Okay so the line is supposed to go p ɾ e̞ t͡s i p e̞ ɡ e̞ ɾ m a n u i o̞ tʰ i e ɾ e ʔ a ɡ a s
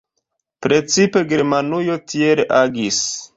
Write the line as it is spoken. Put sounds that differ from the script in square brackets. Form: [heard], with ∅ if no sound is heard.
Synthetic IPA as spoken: p ɾ e̞ t͡s i p e̞ ɡ e̞ ɾ m a n u [j] o̞ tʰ i e ɾ e ʔ a ɡ [i] s